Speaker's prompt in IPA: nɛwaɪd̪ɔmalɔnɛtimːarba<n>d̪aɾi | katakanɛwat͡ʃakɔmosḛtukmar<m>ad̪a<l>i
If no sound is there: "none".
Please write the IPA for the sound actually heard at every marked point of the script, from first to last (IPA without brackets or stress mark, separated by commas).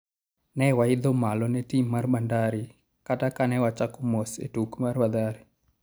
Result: n, b, ɾ